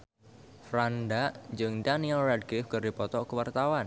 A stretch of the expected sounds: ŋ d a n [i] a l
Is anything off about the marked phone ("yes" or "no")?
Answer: no